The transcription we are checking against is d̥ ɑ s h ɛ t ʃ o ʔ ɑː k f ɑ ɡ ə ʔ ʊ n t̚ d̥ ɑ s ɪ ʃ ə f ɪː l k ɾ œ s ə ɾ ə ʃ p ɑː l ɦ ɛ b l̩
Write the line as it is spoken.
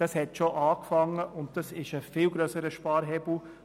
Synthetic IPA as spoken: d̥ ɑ s h ɛ t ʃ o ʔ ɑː k f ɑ ŋ ə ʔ ʊ n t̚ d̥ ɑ s ɪ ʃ ə f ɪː l ɡ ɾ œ s ə ɾ ə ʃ p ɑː ɾ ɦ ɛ b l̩